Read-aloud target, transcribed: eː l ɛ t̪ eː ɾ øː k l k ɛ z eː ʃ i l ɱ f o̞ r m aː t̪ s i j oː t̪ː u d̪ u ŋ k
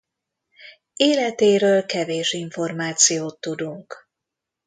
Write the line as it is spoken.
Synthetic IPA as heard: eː l ɛ t̪ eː ɾ øː l k ɛ v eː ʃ i ɱ f o̞ r m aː t̪ s i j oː t̪ː u d̪ u ŋ k